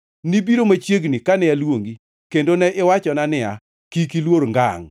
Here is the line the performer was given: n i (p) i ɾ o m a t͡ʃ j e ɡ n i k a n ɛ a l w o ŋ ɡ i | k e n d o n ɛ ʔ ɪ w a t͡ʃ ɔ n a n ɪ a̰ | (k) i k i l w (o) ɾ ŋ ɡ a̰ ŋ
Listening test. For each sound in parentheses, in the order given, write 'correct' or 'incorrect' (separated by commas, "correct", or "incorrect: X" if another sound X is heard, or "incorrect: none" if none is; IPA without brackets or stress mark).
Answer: incorrect: b, correct, correct